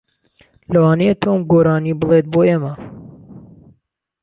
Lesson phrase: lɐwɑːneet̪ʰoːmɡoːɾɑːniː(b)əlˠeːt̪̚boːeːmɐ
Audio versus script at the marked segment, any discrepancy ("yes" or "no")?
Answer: no